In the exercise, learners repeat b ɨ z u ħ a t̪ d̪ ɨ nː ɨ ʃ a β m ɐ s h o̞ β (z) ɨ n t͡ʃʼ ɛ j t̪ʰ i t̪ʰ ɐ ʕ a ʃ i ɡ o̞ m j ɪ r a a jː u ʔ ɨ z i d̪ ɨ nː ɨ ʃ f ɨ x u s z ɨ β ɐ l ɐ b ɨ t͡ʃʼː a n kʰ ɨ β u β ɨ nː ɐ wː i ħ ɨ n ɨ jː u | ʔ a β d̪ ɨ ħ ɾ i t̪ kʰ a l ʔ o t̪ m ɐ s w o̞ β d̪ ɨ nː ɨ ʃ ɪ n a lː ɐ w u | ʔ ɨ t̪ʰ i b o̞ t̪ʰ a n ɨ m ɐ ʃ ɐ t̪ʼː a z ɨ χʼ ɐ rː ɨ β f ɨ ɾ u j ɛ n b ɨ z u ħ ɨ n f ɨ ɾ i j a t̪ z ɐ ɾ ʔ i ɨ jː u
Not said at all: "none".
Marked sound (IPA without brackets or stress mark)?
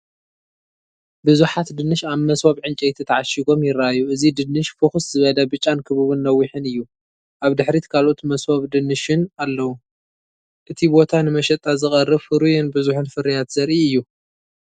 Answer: ʕ